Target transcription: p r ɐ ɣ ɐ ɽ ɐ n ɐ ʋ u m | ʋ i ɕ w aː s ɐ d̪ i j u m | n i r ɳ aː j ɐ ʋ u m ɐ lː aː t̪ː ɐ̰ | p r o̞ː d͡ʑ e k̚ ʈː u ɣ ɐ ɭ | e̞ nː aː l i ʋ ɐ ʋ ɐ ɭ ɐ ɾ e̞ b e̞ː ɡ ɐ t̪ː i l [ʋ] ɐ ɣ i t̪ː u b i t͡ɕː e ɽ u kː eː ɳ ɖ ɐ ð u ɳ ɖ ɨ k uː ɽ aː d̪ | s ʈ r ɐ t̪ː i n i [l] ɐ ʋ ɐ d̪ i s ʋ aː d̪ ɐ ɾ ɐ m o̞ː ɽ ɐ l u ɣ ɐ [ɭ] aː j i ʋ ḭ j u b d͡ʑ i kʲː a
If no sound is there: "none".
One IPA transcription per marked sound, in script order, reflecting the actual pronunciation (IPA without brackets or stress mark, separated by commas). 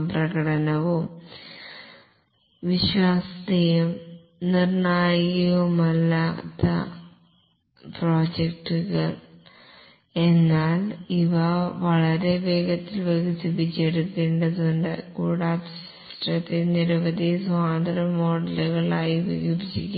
ʋ, ɾ, ɭ